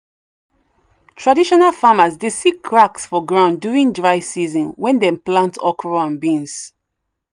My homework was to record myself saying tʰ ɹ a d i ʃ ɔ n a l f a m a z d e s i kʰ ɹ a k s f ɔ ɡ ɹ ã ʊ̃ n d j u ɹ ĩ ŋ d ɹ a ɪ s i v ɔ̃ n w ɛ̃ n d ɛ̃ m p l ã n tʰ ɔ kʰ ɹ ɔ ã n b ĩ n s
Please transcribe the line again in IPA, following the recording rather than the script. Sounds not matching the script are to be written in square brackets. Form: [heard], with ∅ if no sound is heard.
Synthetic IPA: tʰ ɹ a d i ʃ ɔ n a l f a m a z d e s i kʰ ɹ a k s f ɔ ɡ ɹ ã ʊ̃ n d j u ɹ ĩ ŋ d ɹ a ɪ s i [z] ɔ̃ n w ɛ̃ n d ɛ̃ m p l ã n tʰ ɔ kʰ ɹ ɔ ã n b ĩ n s